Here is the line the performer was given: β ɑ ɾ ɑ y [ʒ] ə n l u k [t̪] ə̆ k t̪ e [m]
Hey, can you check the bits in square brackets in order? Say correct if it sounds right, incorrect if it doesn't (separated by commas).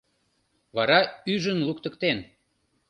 correct, correct, incorrect